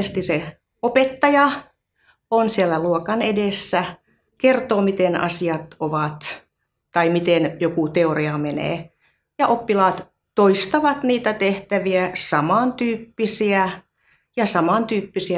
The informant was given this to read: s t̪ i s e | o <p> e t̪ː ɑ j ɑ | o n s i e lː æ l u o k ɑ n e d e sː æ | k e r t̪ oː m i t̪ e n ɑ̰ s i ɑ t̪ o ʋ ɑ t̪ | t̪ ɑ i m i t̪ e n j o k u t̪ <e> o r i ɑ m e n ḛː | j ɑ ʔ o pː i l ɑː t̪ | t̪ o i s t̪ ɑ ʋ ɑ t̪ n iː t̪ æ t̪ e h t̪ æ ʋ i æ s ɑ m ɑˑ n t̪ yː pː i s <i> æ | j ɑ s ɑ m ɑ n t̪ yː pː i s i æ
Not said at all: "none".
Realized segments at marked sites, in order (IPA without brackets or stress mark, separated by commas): p, e, i